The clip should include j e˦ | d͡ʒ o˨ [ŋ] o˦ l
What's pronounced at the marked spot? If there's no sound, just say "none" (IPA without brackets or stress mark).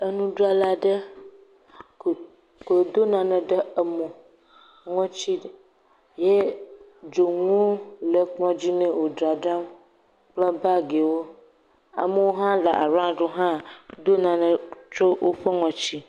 ŋ